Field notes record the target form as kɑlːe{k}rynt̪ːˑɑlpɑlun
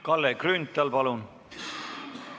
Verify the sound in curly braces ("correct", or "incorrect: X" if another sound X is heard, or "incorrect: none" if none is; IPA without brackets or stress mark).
correct